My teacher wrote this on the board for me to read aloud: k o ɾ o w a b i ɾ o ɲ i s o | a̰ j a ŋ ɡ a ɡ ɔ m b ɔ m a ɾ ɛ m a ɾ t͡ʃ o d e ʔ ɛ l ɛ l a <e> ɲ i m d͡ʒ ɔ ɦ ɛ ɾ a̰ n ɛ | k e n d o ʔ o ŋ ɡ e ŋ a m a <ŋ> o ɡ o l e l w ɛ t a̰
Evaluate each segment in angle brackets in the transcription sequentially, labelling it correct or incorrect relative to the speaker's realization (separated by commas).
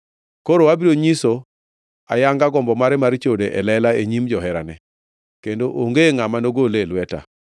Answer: correct, incorrect